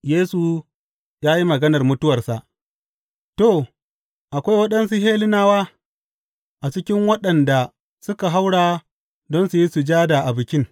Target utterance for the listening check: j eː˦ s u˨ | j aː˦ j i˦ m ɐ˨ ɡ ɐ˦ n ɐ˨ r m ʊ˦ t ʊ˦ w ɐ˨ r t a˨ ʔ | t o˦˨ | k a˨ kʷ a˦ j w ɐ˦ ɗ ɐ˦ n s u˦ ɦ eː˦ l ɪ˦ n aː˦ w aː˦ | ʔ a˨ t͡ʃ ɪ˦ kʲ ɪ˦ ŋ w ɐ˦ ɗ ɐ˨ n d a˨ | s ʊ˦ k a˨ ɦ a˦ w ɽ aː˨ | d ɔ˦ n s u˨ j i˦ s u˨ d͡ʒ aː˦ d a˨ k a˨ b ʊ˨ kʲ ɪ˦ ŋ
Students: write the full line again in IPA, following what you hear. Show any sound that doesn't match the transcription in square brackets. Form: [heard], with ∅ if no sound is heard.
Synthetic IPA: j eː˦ s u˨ | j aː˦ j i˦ m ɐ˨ ɡ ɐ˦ n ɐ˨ r m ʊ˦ t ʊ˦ w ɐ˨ r [s] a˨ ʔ | t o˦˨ | [ʔ] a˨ kʷ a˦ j w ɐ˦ ɗ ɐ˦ n s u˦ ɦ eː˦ l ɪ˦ n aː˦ w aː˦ | ʔ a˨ t͡ʃ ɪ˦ kʲ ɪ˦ ŋ w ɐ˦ ɗ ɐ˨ n d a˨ | s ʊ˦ k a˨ ɦ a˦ w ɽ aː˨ | d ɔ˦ n s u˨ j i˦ s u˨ d͡ʒ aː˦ d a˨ [ʔ] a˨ b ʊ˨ kʲ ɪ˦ ŋ